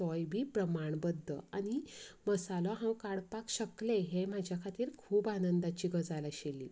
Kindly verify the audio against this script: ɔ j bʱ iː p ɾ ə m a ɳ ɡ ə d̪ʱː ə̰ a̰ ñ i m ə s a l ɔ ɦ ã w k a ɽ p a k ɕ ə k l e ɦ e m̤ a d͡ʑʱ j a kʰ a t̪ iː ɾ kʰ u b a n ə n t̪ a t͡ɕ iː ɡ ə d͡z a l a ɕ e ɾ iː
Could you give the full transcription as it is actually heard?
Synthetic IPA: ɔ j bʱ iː p ɾ ə m a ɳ b ə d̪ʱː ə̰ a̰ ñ i m ə s a l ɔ ɦ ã w k a ɽ p a k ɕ ə k l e ɦ e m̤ a d͡ʑʱ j a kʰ a t̪ iː ɾ kʰ uː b a n ə n d̪ a t͡ɕ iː ɡ ə d͡z a l a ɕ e l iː